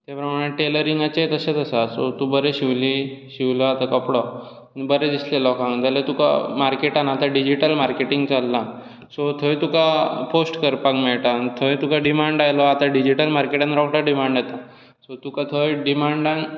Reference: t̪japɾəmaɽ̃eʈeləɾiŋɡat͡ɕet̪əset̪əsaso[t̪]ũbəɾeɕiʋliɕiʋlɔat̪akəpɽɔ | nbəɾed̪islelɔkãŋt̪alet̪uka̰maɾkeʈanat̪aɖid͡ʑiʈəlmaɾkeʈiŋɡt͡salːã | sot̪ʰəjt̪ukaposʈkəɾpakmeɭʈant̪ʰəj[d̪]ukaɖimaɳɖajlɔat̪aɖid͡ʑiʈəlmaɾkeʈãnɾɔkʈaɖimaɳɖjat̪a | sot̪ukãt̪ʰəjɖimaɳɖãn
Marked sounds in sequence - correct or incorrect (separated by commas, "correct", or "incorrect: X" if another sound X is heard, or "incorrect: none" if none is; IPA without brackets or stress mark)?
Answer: correct, incorrect: t̪